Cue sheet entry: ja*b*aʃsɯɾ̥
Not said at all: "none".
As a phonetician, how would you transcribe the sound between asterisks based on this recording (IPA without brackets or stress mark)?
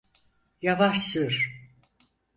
v